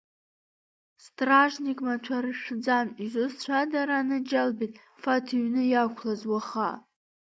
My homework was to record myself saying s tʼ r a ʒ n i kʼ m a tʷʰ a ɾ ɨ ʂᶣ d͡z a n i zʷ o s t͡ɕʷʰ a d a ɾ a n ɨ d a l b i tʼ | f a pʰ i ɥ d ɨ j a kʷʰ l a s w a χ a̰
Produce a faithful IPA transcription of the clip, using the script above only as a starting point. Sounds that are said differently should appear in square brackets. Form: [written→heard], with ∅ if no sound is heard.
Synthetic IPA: s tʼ r a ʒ n i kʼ m a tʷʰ a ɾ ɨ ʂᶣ d͡z a n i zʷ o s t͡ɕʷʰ a d a ɾ a n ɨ [d→d͡ʒ] a l b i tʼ | f a [pʰ→tʰ] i ɥ [d→n] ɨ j a kʷʰ l a [s→z] w a χ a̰